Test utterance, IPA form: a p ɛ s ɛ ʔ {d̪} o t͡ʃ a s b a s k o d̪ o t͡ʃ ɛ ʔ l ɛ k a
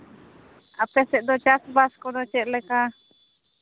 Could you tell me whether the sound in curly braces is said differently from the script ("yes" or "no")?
no